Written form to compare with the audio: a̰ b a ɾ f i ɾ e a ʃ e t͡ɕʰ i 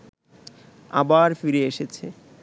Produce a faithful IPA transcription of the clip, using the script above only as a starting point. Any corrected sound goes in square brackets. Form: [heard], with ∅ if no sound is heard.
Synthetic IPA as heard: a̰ b a ɾ f i ɾ e [e] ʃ e t͡ɕʰ [e]